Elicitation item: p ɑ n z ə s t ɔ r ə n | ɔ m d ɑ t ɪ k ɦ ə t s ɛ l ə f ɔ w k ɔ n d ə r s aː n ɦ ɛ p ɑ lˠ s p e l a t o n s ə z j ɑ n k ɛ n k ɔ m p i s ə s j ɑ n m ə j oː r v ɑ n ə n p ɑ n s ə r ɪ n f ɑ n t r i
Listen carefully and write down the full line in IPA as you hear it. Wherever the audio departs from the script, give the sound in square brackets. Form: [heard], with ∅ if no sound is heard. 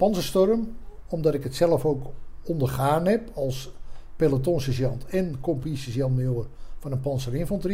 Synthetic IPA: p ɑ n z ə s t ɔ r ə [m] | ɔ m d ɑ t ɪ k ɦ ə t s ɛ l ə f [o] w k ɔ n d ə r [χ] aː n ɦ ɛ p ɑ lˠ s p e l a t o n s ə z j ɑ n [t] ɛ n k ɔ m p i s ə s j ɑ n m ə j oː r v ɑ n ə n p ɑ n s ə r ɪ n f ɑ n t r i